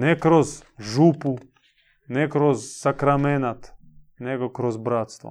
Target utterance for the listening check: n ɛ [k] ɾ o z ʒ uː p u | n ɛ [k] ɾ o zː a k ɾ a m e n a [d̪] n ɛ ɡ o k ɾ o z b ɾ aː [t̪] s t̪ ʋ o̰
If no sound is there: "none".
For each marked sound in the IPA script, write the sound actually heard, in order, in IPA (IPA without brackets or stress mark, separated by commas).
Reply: k, k, t̪, t̪